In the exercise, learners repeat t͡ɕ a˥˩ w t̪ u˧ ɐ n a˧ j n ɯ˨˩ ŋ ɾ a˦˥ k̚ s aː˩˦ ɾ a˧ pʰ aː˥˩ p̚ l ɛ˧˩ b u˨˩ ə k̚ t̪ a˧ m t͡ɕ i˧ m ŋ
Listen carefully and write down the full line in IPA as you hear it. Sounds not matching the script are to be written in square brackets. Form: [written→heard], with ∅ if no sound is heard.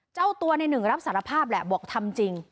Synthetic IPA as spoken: t͡ɕ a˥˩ w t̪ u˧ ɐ n a˧ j n ɯ˨˩ ŋ ɾ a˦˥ [k̚→p̚] s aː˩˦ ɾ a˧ pʰ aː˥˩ p̚ l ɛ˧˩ b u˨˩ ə k̚ [t̪→t̪ʰ] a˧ m t͡ɕ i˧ [m→∅] ŋ